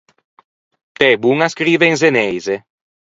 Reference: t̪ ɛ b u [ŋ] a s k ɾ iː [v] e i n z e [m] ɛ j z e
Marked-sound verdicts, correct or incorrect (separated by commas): correct, correct, incorrect